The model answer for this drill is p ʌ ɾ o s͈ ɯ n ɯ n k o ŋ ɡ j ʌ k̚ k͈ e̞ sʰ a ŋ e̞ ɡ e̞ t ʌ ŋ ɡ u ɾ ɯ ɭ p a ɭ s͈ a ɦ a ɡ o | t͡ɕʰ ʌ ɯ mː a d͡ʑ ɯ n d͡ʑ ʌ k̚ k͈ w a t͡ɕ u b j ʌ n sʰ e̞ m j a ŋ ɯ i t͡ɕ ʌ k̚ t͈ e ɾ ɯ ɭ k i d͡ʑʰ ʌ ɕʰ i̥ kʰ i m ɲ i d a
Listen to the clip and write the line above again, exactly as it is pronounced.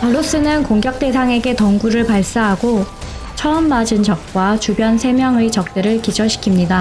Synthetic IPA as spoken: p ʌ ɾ o s͈ ɯ n ɯ n k o ŋ ɡ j ʌ k̚ t͈ e̞ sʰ a ŋ e̞ ɡ e̞ t ʌ ŋ ɡ u ɾ ɯ ɭ p a ɭ s͈ a ɦ a ɡ o | t͡ɕʰ ʌ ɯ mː a d͡ʑ ɯ n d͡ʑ ʌ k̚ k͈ w a t͡ɕ u b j ʌ n sʰ e̞ m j ʌ ŋ ɯ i t͡ɕ ʌ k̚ t͈ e ɾ ɯ ɭ k i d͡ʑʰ ʌ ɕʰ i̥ kʰ i m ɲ i d a